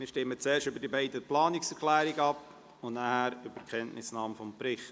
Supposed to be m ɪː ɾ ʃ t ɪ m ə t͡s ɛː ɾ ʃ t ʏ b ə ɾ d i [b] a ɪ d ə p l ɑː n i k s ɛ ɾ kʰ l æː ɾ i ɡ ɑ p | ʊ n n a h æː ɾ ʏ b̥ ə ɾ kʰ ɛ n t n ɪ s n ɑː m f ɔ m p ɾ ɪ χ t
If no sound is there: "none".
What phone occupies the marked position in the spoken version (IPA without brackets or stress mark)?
b